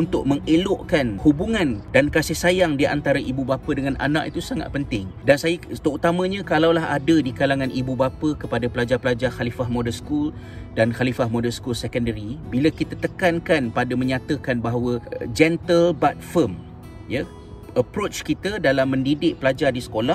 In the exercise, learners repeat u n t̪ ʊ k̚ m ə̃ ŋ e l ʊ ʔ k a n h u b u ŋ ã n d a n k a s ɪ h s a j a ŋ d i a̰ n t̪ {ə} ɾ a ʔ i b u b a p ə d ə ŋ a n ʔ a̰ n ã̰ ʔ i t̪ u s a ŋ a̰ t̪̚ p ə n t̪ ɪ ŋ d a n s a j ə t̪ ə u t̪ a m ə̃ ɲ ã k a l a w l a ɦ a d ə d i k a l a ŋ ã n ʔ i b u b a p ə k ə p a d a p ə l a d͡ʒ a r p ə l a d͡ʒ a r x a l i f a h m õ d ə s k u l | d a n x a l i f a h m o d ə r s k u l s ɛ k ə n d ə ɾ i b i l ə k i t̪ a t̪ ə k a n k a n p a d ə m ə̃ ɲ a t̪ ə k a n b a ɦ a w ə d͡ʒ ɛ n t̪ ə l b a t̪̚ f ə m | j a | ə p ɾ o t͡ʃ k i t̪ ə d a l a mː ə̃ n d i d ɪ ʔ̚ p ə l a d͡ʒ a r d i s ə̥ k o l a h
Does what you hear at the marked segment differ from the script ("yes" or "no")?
yes